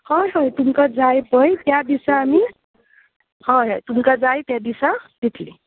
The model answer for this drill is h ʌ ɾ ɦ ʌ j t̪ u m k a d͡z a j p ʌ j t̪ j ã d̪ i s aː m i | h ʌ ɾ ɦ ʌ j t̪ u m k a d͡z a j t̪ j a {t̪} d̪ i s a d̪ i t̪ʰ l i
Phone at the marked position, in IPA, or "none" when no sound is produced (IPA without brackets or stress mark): none